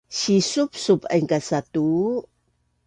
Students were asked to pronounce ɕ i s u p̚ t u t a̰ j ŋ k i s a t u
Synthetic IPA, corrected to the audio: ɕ i s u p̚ s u p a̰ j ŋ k a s a t u